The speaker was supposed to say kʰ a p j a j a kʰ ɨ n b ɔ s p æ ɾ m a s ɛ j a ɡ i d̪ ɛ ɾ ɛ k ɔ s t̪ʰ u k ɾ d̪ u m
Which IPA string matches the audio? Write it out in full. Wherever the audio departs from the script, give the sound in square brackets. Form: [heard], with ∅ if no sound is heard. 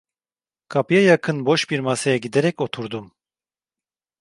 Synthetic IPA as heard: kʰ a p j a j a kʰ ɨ n b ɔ [ʃ] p [i] ɾ m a s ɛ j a ɡ i d̪ ɛ ɾ ɛ k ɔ [∅] t̪ʰ u [∅] ɾ d̪ u m